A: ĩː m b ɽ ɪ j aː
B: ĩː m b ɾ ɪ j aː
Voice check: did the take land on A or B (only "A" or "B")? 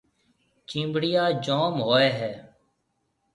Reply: A